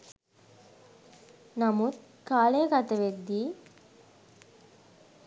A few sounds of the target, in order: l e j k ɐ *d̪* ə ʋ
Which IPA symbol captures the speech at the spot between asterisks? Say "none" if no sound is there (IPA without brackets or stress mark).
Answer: t̪